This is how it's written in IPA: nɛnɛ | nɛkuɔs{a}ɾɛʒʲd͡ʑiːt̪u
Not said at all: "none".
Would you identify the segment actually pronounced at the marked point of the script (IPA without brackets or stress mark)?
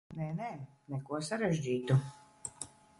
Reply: a